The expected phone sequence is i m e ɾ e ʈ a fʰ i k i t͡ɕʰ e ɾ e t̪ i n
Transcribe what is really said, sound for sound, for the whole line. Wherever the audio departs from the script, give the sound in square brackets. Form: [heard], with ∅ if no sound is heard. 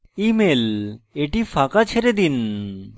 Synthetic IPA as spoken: i m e [l] e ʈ [i] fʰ [a] k [a] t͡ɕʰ e ɾ e [d̪] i n